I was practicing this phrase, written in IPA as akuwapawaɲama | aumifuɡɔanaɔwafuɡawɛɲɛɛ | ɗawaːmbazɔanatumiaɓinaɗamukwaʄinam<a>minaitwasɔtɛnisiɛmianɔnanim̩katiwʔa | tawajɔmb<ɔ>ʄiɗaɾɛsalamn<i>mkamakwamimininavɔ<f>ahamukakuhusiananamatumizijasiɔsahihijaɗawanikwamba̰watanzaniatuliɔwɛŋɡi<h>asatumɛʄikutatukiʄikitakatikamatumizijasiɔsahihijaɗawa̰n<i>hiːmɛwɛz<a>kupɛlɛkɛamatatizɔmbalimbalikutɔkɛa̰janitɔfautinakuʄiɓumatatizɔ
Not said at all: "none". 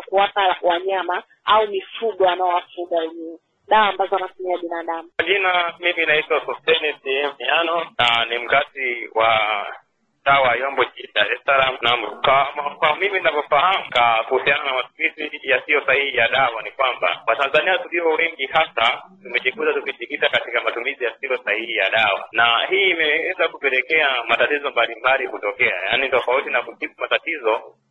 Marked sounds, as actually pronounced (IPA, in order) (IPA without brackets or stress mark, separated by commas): i, ɔ, a, f, h, a, a